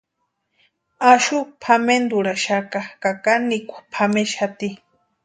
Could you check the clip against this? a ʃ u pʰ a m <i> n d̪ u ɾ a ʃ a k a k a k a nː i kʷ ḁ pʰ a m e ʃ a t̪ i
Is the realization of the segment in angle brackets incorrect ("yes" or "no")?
yes